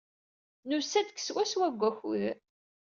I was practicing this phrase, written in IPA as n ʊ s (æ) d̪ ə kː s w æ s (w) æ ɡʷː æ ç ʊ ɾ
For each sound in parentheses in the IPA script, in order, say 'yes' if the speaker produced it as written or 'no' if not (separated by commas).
yes, yes